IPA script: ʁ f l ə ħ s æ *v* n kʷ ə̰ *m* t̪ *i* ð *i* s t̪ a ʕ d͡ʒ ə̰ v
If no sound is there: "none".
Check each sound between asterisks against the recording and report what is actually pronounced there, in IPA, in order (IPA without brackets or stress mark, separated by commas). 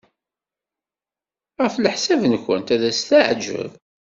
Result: v, n, æ, æ